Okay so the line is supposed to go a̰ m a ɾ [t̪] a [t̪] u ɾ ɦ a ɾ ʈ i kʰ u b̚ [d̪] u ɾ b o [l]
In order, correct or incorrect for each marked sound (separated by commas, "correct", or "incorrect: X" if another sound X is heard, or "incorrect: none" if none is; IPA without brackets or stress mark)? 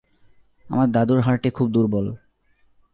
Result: incorrect: d̪, incorrect: d̪, correct, correct